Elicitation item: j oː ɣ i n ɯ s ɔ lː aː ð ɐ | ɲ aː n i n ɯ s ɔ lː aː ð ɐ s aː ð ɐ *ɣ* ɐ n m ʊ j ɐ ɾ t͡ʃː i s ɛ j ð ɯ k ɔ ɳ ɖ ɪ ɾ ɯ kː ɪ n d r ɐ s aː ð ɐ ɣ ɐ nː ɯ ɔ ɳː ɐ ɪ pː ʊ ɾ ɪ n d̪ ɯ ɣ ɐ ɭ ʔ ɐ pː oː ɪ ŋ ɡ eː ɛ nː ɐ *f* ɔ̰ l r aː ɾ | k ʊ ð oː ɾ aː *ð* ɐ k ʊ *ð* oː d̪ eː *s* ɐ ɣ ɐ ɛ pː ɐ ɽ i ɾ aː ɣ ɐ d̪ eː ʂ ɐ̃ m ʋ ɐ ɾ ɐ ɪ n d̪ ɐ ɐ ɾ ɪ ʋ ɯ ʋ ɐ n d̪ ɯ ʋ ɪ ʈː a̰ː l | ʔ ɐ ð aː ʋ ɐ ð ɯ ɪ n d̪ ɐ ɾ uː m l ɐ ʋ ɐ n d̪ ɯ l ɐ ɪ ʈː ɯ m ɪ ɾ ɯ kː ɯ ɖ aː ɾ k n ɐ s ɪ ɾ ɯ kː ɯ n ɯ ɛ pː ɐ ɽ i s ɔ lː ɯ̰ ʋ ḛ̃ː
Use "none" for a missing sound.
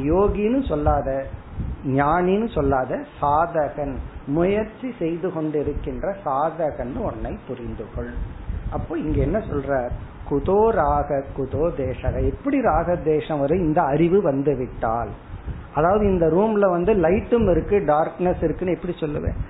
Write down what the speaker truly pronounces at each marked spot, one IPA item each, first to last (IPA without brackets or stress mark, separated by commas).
ɣ, s, ɣ, ð, ʂ